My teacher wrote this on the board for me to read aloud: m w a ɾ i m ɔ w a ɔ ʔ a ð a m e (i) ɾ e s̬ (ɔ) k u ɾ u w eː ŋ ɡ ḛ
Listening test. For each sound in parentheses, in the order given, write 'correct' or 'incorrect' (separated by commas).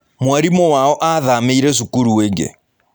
correct, incorrect